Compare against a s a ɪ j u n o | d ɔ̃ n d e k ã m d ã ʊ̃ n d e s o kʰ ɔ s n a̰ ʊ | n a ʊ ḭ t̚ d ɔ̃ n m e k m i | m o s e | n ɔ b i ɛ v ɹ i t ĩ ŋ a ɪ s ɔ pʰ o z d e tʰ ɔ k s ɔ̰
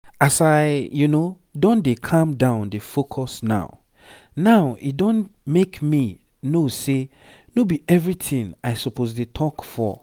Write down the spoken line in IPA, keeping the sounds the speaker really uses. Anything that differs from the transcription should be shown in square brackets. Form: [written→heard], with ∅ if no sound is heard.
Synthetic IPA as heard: a s a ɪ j u n o | d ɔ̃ n d e [k→kʰ] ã m d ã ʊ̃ n d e [s→f] o kʰ ɔ s n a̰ ʊ | n a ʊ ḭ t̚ d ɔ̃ n m e k m i | [m→n] o s e | n [ɔ→o] b i ɛ v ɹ i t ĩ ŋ a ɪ s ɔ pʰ o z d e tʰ ɔ k [s→f] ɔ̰

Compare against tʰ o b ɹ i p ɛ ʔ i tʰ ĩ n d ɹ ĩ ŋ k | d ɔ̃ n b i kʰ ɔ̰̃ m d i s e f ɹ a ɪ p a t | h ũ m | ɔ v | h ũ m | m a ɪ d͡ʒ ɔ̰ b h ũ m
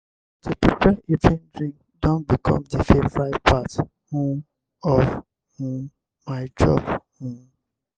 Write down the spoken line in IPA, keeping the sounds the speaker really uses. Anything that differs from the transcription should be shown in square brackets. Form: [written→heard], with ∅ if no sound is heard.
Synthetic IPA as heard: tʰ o [b→p] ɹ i p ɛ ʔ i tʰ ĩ n d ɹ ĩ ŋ k | d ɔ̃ n b i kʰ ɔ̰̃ m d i [s→f] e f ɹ a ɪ p a t | h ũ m | ɔ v | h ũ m | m a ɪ d͡ʒ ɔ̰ b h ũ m

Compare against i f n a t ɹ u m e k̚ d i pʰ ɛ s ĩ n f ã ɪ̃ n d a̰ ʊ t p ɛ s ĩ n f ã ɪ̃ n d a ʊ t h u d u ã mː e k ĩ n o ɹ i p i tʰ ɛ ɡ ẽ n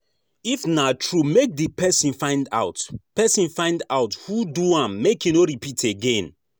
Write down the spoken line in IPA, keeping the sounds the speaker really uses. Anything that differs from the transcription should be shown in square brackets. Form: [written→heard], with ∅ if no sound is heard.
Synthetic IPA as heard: i f n a t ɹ u m e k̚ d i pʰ ɛ s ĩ n f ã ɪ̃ n d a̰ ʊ t p ɛ s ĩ n f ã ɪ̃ n d a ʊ t h u d u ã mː e k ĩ n o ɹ i p i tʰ [ɛ→e] ɡ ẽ n

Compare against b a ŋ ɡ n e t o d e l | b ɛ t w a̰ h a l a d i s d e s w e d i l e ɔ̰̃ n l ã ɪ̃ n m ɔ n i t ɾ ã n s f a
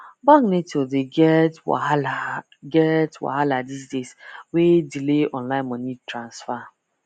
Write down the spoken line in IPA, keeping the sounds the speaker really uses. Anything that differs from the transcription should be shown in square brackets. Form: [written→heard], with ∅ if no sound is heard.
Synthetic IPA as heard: b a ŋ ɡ n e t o d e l | [b→ɡ] ɛ t w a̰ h a l a d i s d e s w e d i l e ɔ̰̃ n l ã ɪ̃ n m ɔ n i t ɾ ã n s f a

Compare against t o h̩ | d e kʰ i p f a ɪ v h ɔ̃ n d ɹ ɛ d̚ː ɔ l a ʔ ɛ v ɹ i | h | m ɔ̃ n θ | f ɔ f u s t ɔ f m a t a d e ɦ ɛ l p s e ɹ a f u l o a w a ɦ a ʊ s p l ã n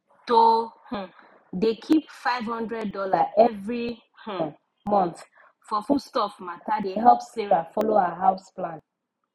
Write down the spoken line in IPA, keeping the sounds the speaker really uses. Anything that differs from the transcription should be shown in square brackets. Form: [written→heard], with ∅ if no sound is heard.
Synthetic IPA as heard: t o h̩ | d e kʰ i p f a ɪ v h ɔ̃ n d ɹ ɛ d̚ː ɔ l a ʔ ɛ v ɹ i | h | m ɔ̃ n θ | f ɔ f u s t ɔ f m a t a d e ɦ ɛ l p s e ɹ a f [u→ɔ] l o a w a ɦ a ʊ s p l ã n

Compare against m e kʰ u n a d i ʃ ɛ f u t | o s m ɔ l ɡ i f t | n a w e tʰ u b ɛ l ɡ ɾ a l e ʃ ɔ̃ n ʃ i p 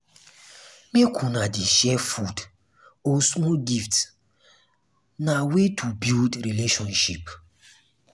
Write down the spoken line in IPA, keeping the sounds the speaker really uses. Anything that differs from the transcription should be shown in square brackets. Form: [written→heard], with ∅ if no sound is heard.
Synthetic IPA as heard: m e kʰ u n a d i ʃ ɛ f u [t→d] | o s m ɔ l ɡ i f t | n a w e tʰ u b [ɛ→i] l [ɡ→d] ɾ [a→i] l e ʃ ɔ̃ n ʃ i p

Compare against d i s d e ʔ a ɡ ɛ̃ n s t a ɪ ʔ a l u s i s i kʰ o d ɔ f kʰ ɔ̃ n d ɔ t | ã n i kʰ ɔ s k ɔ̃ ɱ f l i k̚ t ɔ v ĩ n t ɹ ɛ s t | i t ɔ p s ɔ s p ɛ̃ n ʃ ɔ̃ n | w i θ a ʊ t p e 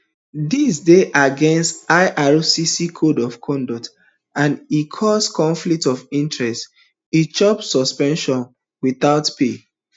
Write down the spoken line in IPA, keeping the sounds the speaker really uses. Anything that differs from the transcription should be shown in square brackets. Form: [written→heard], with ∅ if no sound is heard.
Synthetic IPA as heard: d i s d e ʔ a ɡ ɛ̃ n s t a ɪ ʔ a [l→ɹ] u s i s i kʰ o d ɔ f kʰ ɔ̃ n d ɔ t | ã n i kʰ ɔ s k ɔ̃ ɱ f l i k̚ t ɔ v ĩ n t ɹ ɛ s t | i [t→t͡ʃ] ɔ p s ɔ s p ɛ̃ n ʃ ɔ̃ n | w i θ a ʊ t p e

